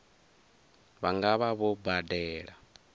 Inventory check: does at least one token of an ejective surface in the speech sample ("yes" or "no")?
no